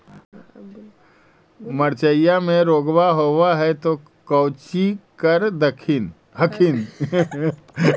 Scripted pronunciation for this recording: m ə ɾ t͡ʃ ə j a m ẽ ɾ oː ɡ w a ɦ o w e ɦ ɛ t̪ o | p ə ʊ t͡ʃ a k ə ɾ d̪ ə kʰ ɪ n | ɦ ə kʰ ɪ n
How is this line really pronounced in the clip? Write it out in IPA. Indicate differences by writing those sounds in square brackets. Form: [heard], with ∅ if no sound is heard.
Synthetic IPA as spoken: m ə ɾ t͡ʃ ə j a m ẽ ɾ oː ɡ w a ɦ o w [a] ɦ ɛ t̪ o | [k] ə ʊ t͡ʃ [i] k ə ɾ d̪ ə kʰ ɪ n | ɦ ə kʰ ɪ n